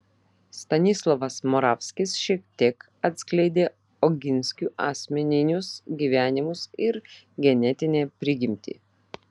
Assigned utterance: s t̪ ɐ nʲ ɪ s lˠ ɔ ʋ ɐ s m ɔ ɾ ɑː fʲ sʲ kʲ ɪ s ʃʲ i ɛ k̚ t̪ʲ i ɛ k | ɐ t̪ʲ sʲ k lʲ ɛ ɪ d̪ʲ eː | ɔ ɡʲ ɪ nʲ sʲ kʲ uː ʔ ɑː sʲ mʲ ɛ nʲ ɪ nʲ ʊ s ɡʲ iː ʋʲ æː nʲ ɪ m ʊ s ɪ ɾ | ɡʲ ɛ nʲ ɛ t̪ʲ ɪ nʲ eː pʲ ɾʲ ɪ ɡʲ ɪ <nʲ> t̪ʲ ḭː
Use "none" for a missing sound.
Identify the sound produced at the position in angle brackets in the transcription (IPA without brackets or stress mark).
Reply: mʲ